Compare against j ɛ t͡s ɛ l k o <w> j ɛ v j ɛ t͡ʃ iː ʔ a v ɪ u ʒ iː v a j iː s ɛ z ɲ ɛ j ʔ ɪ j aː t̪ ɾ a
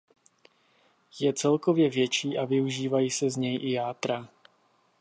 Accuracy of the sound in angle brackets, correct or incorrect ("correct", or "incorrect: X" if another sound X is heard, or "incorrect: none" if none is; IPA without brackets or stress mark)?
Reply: incorrect: v